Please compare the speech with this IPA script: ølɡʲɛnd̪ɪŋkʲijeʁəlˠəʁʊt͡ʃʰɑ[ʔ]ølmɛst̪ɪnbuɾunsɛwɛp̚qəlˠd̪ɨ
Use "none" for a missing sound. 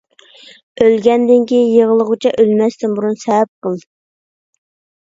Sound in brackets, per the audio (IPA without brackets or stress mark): ʔ